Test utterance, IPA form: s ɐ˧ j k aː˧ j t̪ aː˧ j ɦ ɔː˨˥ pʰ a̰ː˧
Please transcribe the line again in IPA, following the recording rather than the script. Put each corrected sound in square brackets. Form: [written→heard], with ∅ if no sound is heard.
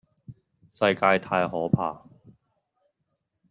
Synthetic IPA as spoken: s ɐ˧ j k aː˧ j [t̪→t̪ʰ] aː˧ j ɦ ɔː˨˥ pʰ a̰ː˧